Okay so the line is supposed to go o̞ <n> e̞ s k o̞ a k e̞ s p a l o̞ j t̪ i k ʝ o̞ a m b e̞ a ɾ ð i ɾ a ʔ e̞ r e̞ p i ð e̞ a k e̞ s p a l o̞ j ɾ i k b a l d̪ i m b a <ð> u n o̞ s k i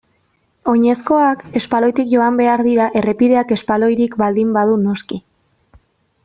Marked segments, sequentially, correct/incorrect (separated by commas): incorrect, correct